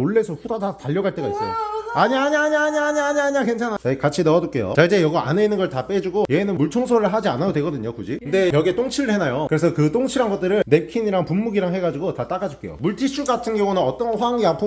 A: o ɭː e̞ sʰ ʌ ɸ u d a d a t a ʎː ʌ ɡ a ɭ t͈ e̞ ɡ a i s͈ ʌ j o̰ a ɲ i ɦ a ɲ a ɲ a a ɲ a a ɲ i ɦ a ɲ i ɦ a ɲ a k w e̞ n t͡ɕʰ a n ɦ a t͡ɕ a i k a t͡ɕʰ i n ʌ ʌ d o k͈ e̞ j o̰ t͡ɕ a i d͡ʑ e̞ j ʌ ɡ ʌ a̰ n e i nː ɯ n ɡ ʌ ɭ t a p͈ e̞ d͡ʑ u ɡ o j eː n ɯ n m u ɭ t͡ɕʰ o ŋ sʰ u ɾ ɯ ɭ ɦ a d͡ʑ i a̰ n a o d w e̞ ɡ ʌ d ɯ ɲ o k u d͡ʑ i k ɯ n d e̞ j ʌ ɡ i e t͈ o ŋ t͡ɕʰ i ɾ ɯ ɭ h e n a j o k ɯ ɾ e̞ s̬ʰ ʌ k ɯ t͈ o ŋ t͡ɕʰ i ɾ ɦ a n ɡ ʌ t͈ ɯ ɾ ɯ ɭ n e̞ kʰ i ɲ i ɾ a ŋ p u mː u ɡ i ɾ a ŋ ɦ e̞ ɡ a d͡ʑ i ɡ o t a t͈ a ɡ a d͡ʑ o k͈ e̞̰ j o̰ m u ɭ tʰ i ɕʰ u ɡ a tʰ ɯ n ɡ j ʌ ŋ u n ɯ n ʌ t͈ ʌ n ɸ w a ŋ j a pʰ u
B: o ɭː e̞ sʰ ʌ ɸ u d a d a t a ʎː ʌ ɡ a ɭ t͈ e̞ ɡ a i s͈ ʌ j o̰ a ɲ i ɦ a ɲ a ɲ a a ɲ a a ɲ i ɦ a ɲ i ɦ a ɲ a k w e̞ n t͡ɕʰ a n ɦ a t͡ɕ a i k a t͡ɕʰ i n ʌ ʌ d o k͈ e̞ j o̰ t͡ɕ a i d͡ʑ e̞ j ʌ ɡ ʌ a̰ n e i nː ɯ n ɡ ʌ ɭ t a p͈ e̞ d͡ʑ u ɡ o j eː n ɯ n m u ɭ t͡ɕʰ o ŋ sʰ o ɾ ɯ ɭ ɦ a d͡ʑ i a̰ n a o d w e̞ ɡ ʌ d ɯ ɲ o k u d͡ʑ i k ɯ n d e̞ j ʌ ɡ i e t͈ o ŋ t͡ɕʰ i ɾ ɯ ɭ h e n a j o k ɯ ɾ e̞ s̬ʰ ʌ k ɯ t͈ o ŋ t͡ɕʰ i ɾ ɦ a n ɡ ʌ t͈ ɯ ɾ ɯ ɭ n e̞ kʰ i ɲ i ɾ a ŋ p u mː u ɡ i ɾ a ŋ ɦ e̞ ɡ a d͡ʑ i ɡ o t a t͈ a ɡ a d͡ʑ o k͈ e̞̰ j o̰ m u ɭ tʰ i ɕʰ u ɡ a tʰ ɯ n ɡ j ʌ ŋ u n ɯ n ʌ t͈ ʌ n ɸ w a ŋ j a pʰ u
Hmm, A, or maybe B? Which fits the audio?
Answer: B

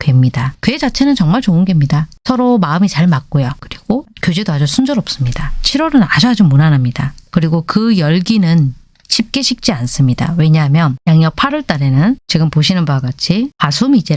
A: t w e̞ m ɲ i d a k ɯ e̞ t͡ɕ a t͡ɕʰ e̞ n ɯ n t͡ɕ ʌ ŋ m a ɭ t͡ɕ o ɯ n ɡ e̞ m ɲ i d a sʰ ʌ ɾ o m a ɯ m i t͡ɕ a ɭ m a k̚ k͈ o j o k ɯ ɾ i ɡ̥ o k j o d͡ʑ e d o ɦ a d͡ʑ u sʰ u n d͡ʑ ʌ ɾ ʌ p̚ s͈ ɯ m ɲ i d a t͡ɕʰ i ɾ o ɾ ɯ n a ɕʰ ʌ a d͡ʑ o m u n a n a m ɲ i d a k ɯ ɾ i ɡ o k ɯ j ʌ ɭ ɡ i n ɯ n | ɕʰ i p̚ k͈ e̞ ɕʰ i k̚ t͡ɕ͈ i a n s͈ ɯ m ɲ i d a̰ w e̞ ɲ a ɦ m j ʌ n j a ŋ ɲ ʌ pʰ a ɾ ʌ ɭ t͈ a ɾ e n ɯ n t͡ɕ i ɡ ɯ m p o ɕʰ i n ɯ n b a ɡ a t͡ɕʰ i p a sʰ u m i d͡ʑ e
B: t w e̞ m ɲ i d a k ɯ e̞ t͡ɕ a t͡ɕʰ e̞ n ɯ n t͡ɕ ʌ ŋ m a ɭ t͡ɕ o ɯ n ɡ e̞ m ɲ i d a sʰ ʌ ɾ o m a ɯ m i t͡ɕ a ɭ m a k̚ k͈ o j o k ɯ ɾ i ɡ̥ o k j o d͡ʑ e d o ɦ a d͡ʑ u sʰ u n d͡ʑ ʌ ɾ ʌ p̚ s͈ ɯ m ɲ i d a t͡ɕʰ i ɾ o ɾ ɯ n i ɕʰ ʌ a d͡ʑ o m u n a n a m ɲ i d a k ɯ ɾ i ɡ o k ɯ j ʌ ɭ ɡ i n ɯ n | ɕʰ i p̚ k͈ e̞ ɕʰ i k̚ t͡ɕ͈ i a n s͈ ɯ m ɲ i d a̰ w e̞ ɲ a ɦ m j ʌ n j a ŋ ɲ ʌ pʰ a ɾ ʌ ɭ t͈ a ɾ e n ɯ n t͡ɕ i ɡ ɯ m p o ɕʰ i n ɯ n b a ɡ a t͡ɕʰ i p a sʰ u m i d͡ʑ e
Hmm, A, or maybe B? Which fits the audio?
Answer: A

